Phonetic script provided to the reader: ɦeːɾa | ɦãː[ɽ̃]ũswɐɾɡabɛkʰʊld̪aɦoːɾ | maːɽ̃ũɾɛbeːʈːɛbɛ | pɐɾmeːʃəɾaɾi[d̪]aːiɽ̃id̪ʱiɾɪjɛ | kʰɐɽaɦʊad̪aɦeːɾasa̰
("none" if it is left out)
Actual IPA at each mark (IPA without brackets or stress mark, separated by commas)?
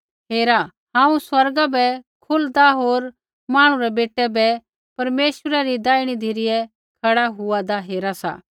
none, d̪